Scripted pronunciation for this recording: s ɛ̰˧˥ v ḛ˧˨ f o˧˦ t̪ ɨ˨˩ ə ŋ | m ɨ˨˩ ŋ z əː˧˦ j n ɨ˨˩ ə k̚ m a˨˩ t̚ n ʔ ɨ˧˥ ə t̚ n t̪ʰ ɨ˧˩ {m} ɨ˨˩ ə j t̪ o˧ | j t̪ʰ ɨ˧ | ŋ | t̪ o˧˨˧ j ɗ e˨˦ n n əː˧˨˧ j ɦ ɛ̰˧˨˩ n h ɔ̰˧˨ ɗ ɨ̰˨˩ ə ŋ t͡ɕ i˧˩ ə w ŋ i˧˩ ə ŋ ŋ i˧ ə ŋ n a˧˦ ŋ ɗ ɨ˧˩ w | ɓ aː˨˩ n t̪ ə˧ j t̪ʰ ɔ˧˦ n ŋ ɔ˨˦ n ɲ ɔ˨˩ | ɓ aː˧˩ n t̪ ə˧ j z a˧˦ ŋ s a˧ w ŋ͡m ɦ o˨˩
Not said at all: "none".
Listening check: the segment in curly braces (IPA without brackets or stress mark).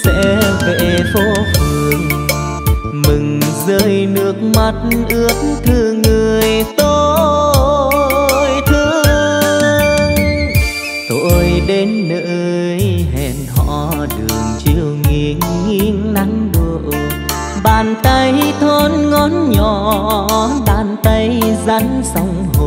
ŋ